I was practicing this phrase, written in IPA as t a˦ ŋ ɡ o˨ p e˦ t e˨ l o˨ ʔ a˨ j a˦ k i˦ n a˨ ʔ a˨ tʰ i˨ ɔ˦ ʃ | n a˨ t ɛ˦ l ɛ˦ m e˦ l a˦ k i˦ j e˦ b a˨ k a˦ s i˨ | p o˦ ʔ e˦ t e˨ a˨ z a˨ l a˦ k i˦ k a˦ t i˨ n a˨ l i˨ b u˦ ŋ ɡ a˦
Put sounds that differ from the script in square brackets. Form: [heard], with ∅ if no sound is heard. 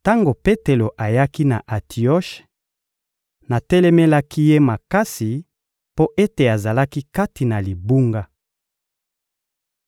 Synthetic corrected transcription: t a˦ ŋ ɡ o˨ p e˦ t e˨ l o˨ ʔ a˨ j a˦ k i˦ n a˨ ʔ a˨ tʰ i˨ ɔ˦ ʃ | n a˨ t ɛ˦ l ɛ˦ m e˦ l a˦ k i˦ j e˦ [m] a˨ k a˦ s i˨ | p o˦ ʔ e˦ t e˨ a˨ z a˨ l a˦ k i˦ k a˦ t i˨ n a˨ l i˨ b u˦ ŋ ɡ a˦